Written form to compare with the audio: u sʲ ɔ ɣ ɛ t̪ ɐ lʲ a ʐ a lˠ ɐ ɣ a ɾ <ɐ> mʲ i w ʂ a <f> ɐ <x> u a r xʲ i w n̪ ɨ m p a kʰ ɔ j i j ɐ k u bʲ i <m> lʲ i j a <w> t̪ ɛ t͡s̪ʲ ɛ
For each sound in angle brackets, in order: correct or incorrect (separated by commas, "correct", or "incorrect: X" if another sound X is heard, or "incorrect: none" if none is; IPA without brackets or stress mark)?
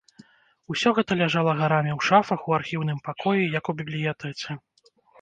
incorrect: a, correct, correct, incorrect: b, incorrect: none